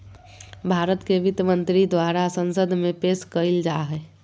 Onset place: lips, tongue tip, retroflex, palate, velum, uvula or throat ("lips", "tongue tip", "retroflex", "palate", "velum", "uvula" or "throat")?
lips